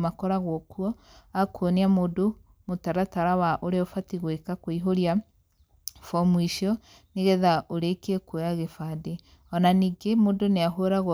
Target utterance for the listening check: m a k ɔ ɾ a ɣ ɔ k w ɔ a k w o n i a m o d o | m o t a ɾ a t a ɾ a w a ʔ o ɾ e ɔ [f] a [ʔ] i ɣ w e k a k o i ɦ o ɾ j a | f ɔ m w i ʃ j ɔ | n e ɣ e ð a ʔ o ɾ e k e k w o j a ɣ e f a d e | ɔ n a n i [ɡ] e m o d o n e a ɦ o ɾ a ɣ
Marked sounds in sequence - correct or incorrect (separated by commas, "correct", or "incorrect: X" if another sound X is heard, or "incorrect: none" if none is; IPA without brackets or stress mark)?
correct, incorrect: t, correct